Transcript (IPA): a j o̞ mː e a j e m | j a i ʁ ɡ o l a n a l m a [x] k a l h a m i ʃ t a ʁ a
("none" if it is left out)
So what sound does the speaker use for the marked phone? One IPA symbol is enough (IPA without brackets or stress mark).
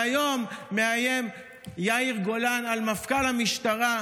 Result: f